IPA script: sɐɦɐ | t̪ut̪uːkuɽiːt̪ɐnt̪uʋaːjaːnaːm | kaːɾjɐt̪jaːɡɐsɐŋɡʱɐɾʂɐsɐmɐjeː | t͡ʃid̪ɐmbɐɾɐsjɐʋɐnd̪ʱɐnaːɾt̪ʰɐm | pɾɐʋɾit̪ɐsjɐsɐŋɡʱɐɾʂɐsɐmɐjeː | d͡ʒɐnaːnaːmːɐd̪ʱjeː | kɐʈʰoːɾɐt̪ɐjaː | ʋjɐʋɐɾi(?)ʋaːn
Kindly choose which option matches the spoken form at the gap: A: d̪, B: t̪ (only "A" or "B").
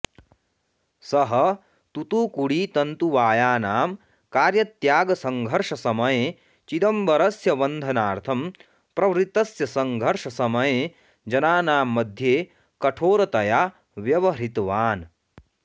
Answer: B